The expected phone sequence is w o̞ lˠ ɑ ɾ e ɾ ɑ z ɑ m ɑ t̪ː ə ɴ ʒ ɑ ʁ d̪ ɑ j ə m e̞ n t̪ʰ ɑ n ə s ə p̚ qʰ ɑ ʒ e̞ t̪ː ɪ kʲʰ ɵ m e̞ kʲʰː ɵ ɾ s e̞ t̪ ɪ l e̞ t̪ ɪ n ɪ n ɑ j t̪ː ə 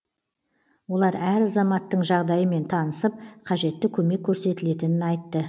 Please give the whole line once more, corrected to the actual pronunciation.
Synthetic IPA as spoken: w o̞ lˠ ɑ ɾ æ ɾ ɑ z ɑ m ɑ t̪ː ə ɴ ʒ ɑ ʁ d̪ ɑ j ə m e̞ n t̪ʰ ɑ n ə s ə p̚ qʰ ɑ ʒ e̞ t̪ː ɪ kʲʰ ɵ m e̞ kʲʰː ɵ ɾ s e̞ t̪ ɪ l e̞ t̪ ɪ n ɪ n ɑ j t̪ː ə